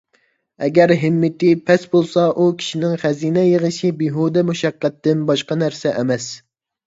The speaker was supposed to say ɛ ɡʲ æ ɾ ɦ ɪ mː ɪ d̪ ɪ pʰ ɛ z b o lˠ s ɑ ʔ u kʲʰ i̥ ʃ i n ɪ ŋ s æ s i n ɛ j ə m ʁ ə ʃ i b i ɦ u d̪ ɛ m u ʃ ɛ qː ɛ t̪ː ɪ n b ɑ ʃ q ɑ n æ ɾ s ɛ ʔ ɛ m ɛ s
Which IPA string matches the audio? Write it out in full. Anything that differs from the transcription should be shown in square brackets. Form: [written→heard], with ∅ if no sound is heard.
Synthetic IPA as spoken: ɛ ɡʲ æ ɾ ɦ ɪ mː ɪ [d̪→t̪] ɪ pʰ ɛ [z→s] b o lˠ s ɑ ʔ u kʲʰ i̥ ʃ i n ɪ ŋ [s→χ] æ [s→z] i n ɛ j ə [m→∅] ʁ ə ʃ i b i ɦ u d̪ ɛ m u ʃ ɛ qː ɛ t̪ː ɪ n b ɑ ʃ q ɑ n æ ɾ s ɛ ʔ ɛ m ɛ s